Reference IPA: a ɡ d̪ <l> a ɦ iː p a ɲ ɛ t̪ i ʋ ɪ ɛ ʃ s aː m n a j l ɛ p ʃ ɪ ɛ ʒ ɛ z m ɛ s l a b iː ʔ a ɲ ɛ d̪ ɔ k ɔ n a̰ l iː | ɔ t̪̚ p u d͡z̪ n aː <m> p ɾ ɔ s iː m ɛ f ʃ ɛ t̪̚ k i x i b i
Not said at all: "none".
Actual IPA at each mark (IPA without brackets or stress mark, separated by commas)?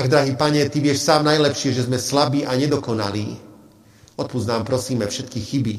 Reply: ɾ, m